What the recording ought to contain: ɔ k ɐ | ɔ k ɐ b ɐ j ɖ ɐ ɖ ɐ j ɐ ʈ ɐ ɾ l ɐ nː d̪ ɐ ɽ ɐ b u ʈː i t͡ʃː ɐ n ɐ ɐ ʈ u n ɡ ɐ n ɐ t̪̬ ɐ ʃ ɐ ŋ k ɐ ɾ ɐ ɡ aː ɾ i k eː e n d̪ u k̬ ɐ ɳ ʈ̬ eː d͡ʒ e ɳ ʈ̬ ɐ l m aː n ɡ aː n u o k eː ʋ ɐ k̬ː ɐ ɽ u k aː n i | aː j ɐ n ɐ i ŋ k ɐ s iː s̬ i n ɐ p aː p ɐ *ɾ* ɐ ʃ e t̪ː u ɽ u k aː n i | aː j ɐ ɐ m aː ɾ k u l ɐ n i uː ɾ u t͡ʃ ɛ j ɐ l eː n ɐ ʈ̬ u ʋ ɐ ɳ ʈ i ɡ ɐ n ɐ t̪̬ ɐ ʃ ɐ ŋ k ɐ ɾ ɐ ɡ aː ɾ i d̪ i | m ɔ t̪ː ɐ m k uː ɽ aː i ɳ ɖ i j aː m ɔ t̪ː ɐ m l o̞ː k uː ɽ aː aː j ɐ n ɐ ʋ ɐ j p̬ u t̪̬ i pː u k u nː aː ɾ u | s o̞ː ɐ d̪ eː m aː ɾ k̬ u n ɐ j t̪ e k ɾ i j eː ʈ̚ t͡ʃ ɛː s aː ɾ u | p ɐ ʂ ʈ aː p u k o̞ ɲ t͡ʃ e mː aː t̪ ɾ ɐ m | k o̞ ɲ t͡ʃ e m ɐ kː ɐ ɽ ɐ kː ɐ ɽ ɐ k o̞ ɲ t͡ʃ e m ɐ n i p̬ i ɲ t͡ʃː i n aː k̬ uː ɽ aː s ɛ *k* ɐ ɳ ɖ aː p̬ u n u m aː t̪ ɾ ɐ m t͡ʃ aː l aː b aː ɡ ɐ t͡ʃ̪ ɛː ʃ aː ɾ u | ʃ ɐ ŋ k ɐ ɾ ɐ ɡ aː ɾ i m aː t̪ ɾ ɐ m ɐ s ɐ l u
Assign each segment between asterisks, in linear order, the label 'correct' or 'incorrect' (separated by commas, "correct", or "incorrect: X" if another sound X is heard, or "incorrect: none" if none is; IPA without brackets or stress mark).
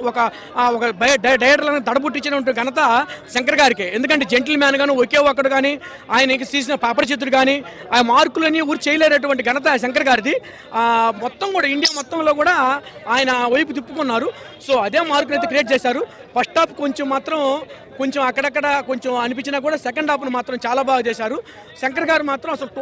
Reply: correct, correct